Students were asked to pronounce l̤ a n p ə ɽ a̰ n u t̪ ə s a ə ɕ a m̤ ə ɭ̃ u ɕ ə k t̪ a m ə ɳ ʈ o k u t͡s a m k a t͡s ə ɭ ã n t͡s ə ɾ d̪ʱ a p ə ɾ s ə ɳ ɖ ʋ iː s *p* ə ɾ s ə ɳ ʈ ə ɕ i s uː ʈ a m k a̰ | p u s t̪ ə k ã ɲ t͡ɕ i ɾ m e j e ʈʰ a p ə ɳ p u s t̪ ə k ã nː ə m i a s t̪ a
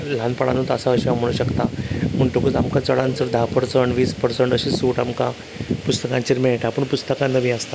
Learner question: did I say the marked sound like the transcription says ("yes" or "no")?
yes